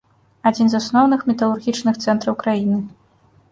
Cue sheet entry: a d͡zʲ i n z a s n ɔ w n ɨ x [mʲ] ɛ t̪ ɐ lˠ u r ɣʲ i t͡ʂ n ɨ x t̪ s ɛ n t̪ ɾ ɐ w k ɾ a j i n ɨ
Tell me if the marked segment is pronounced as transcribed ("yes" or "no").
yes